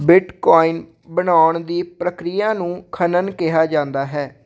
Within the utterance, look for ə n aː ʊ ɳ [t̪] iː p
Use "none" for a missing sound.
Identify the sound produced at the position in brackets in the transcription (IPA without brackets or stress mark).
d̪